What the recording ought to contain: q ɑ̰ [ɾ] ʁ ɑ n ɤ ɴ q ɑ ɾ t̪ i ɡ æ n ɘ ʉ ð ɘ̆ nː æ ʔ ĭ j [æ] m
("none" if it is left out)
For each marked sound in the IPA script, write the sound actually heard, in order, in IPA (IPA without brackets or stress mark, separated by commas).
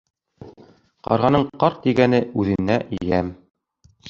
ɾ, æ